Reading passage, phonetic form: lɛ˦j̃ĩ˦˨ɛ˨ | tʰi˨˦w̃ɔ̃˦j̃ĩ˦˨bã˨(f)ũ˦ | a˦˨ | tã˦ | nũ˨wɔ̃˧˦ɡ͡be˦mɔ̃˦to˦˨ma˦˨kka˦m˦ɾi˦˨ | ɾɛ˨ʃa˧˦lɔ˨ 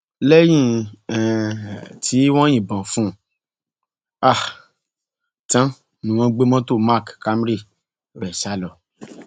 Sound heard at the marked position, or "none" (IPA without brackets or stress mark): f